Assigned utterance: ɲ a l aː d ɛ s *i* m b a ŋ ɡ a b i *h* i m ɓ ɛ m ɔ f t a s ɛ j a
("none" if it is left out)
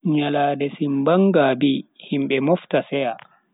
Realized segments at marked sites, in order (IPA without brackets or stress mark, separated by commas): i, h